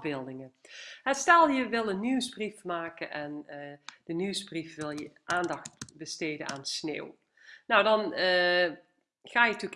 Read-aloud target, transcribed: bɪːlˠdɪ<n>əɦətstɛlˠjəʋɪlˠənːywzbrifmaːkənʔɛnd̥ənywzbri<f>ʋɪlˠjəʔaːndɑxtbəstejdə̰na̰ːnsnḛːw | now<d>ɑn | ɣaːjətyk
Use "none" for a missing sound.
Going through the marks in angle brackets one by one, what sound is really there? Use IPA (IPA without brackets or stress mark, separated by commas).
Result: ŋ, f, d